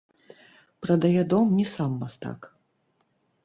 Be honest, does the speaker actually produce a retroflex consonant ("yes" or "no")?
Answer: no